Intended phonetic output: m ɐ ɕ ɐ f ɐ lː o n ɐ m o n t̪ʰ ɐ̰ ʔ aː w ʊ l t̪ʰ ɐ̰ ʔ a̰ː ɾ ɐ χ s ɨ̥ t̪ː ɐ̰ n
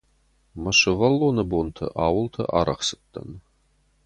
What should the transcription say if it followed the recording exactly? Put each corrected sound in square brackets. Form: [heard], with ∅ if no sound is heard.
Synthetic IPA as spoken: m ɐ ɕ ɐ [v] ɐ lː o n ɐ [b] o n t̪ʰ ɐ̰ ʔ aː w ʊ l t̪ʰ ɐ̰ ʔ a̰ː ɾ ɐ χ s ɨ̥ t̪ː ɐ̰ n